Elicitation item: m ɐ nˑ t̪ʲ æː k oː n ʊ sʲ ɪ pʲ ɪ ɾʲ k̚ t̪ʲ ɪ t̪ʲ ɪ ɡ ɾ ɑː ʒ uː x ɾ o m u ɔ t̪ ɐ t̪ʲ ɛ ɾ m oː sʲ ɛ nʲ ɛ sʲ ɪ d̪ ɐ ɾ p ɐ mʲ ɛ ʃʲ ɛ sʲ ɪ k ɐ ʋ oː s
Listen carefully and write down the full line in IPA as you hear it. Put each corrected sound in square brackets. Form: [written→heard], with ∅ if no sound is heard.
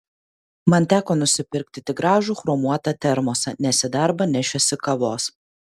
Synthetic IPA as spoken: m ɐ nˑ t̪ʲ æː k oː n ʊ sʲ ɪ pʲ ɪ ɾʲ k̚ t̪ʲ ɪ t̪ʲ ɪ ɡ ɾ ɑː ʒ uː x ɾ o m u ɔ t̪ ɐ t̪ʲ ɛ ɾ m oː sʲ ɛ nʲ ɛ sʲ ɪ d̪ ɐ ɾ [p→b] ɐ [mʲ→nʲ] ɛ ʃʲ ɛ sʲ ɪ k ɐ ʋ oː s